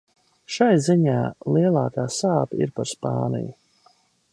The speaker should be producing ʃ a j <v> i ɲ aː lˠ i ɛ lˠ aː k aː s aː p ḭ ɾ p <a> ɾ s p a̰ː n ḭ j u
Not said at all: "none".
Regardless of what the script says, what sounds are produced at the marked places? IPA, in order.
z, a

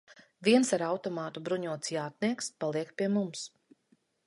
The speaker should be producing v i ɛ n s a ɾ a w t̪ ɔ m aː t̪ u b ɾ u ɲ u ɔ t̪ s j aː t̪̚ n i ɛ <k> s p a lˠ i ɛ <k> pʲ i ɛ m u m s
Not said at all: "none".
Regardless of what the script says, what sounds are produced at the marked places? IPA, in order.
k, k

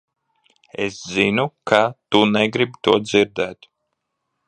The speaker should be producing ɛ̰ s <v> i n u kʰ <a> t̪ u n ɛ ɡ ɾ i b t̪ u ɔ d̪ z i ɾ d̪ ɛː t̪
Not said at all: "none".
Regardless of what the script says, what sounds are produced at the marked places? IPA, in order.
z, a

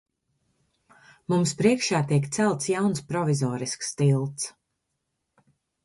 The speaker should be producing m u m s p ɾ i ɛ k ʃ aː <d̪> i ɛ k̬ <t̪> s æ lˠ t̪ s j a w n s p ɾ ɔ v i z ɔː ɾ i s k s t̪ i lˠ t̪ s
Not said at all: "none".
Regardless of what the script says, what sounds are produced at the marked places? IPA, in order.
t̪, t̪

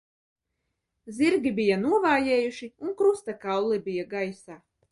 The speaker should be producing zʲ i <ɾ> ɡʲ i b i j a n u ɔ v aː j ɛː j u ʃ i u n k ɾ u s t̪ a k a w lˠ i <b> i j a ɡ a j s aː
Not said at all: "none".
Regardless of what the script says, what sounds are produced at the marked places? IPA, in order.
ɾ, b

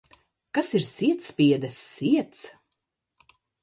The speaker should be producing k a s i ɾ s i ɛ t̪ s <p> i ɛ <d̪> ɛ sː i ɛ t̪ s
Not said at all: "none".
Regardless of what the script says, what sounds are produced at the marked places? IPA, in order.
p, d̪

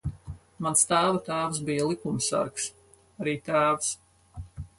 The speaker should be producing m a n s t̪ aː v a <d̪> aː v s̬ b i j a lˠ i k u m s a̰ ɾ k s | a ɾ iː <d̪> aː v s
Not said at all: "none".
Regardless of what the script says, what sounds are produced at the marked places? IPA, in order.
t̪, t̪

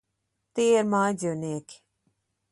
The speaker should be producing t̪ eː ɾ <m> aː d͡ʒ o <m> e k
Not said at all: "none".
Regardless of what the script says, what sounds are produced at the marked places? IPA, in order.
m, n

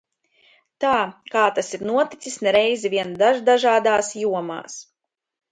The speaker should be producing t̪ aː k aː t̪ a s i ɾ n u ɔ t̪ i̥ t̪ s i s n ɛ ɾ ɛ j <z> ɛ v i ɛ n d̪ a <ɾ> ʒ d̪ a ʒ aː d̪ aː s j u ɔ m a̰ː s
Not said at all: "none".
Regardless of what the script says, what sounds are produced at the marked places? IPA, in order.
z, none

